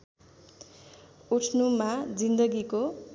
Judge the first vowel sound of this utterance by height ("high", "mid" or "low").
high